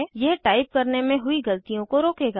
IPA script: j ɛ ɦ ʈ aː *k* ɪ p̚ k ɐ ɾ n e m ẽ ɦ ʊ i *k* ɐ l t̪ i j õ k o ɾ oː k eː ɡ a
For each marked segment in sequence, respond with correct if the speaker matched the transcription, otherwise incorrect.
incorrect: none, incorrect: ɡ

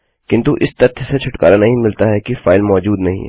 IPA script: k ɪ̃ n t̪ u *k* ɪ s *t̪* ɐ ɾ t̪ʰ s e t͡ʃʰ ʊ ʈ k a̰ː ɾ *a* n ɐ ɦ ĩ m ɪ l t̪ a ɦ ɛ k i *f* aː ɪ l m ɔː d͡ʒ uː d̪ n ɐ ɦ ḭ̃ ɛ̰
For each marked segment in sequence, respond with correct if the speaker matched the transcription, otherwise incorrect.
incorrect: ʔ, correct, correct, correct

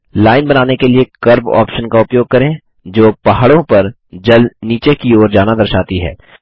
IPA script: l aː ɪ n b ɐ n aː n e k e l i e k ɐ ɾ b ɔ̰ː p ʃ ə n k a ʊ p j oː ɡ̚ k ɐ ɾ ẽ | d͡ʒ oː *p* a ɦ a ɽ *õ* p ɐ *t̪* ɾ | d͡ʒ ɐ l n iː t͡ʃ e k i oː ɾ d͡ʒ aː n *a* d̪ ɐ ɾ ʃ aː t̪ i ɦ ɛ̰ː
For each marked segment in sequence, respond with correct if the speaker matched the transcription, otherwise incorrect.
correct, correct, incorrect: none, correct

